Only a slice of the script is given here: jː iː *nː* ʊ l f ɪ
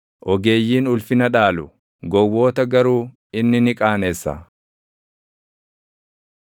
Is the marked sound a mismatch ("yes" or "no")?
yes